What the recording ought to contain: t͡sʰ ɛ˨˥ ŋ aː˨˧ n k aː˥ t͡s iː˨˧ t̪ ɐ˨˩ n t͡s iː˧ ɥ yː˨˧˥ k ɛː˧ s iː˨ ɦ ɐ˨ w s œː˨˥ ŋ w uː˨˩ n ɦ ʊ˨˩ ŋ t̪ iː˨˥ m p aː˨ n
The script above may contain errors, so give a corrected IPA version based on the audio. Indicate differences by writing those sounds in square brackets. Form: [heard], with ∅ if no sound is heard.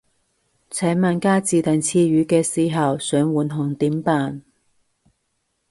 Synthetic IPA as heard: t͡sʰ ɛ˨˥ [m] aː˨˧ n k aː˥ t͡s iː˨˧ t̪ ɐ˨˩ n [t͡sʰ] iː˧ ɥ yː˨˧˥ k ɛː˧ s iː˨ ɦ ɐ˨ w s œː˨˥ ŋ w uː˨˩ n ɦ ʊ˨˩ ŋ t̪ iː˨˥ m p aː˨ n

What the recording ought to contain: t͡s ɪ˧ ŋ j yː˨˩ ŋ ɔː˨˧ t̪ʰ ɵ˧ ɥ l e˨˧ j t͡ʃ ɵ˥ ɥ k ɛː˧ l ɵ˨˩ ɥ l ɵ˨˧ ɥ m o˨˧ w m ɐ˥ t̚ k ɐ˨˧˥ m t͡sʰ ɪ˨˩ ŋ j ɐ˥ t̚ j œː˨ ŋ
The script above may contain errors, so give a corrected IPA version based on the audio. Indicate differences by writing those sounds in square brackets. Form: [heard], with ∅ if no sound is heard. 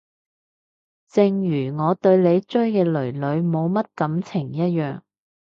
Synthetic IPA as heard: t͡s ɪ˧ ŋ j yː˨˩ ŋ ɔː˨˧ [t̪] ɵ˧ ɥ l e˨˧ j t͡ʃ ɵ˥ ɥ k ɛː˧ l ɵ˨˩ ɥ l ɵ˨˧ ɥ m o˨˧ w m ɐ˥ t̚ k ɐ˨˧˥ m t͡sʰ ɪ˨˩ ŋ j ɐ˥ t̚ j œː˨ ŋ

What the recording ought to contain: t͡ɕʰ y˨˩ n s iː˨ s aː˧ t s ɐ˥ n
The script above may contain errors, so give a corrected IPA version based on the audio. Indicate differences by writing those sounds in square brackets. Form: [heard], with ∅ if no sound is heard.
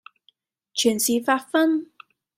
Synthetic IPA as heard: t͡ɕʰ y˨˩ n s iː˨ [f] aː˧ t [f] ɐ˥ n

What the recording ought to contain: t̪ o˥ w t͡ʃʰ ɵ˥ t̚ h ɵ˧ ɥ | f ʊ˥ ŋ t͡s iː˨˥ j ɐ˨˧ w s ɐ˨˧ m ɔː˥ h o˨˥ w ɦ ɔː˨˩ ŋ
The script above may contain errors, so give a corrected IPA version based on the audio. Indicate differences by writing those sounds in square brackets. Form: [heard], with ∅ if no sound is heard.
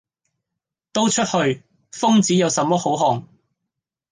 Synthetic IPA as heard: t̪ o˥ w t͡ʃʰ ɵ˥ t̚ h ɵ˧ ɥ | f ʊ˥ ŋ t͡s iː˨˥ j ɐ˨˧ w s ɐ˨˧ m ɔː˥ h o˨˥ w ɦ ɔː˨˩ ŋ

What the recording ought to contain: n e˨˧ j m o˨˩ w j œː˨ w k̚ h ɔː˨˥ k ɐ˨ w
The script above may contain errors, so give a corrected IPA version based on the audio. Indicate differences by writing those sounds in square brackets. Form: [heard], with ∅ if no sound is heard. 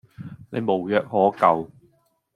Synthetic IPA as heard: n e˨˧ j m o˨˩ w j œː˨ [∅] k̚ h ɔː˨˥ k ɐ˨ w

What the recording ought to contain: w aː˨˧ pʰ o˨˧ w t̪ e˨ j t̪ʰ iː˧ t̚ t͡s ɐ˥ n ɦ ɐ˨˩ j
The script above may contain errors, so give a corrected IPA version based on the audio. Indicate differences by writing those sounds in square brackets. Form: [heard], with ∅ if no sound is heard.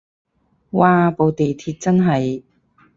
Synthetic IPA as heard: w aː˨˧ [p] o˨˧ w t̪ e˨ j t̪ʰ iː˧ t̚ t͡s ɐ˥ n ɦ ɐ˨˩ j

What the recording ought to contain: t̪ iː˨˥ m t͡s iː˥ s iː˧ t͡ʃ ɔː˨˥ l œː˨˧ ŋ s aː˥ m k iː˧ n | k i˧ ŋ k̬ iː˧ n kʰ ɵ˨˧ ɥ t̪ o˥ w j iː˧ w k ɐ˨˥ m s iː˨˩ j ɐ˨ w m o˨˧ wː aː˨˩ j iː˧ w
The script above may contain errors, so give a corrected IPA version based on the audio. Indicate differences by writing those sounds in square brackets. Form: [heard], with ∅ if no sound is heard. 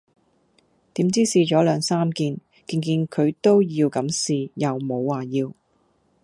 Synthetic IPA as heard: t̪ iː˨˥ m t͡s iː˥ s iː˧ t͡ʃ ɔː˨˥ l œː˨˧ ŋ s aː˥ m k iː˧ n | k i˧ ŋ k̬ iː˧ n kʰ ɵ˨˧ ɥ t̪ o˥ w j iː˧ w k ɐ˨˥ m s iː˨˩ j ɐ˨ w m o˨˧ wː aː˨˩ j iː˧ w

